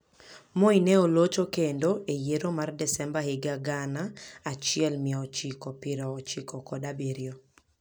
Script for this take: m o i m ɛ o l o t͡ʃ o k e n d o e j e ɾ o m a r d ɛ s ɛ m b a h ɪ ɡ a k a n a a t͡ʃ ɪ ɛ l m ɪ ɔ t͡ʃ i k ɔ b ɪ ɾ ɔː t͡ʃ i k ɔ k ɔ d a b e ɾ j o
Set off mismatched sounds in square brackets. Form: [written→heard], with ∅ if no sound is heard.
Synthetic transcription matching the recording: m o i [m→n] ɛ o l o t͡ʃ o k e n d o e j e ɾ o m a r d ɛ s ɛ m b a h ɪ ɡ a [k→ɡ] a n a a t͡ʃ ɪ ɛ l m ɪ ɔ t͡ʃ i k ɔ [b→p] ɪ ɾ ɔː t͡ʃ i k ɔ k ɔ d a b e ɾ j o